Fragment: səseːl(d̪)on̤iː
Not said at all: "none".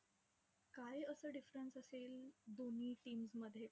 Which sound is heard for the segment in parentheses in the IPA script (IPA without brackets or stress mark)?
d̪